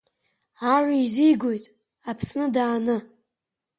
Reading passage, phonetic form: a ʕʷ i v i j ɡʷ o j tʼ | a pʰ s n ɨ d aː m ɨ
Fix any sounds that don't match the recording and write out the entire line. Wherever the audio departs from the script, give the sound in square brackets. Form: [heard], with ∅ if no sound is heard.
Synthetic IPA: a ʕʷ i [z] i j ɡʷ o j tʼ | a pʰ s n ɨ d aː [n] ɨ